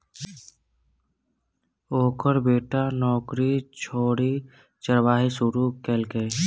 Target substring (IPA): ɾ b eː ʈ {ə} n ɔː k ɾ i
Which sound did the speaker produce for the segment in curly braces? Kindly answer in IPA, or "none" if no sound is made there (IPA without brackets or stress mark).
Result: a